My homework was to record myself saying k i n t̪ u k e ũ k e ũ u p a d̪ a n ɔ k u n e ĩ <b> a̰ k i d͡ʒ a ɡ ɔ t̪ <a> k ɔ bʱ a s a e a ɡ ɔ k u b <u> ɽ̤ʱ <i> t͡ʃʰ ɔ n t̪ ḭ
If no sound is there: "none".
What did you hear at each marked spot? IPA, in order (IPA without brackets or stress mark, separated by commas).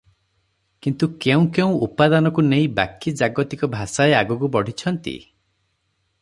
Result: b, i, ɔ, i